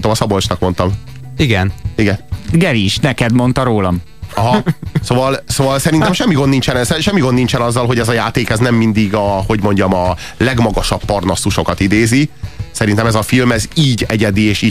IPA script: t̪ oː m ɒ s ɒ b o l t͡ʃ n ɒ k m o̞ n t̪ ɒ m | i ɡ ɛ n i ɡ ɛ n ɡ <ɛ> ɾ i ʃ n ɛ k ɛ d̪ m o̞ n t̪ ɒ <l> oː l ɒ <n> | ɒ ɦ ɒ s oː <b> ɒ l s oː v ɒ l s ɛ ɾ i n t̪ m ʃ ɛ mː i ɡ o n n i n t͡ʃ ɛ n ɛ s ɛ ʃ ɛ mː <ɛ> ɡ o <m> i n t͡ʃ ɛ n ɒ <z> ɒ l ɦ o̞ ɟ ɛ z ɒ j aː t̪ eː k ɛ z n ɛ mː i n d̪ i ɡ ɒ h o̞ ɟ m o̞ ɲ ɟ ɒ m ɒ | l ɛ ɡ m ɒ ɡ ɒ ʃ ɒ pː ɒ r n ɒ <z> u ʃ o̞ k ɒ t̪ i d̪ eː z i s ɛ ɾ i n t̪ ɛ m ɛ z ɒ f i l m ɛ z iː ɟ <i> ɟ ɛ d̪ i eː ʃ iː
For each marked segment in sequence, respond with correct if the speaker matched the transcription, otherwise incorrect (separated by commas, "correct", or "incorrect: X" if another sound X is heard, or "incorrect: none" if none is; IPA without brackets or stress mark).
correct, incorrect: ɾ, incorrect: m, incorrect: v, incorrect: i, incorrect: n, incorrect: zː, incorrect: s, incorrect: ɛ